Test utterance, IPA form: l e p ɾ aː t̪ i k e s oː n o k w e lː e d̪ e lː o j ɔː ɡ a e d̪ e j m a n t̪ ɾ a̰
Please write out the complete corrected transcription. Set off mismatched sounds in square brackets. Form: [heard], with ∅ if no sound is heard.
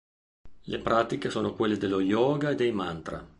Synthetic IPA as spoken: l e p ɾ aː t̪ i k e s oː n o k w e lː e d̪ e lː o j ɔː ɡ a e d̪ e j m a n t̪ ɾ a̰